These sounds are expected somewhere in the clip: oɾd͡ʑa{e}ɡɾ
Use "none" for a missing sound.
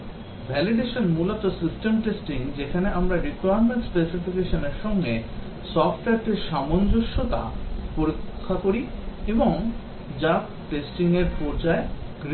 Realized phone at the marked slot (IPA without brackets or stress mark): e